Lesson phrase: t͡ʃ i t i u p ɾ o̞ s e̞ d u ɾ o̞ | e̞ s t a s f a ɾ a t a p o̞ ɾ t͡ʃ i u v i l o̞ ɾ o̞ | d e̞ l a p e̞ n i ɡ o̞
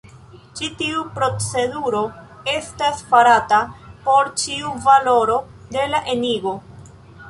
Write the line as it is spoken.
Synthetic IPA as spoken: t͡ʃ i t i u p ɾ o̞ t͡s e̞ d u ɾ o̞ | e̞ s t a s f a ɾ a t a p o̞ ɾ t͡ʃ i u v a l o̞ ɾ o̞ | d e̞ l a ʔ e̞ n i ɡ o̞